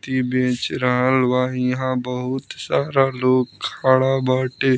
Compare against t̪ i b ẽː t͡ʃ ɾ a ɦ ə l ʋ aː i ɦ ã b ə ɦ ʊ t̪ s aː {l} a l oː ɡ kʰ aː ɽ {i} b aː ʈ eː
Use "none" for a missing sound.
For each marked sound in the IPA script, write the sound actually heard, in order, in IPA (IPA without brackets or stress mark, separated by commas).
ɾ, a